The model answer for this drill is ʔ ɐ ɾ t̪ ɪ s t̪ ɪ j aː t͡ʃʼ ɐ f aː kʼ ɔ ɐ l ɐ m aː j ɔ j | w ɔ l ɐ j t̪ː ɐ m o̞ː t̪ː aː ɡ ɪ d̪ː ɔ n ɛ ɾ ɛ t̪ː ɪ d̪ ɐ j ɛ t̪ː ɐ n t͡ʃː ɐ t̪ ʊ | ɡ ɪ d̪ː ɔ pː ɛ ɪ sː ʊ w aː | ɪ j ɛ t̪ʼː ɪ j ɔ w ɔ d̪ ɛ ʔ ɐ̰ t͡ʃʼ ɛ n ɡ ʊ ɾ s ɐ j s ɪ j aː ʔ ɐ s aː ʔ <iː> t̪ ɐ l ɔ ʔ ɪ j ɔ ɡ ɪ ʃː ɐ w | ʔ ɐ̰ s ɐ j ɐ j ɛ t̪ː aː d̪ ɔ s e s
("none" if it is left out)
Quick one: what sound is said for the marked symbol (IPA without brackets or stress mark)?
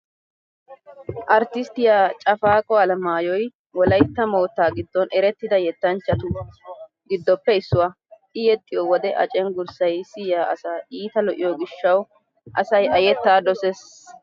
iː